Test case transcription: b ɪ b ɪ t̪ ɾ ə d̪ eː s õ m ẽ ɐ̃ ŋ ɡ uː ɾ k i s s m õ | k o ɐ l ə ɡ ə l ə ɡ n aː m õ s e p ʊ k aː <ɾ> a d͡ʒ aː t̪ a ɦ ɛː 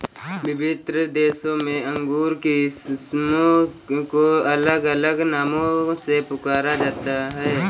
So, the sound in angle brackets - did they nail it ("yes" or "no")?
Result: yes